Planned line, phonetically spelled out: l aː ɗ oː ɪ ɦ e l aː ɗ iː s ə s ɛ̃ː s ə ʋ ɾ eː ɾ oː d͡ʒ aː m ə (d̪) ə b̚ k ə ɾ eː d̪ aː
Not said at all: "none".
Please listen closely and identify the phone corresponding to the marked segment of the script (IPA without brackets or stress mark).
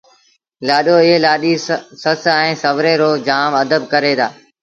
d̪